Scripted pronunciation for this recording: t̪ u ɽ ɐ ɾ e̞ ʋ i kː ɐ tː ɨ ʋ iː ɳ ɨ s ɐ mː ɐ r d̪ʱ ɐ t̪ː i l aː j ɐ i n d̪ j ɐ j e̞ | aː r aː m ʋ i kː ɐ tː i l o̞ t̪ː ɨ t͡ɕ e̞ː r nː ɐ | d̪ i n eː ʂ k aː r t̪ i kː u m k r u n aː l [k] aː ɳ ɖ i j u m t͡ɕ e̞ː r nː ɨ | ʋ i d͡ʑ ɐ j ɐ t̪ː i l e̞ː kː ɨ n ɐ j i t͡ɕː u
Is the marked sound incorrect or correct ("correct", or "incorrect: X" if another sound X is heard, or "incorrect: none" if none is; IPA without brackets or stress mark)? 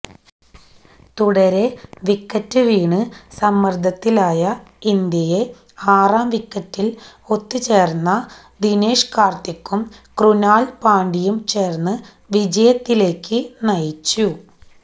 incorrect: p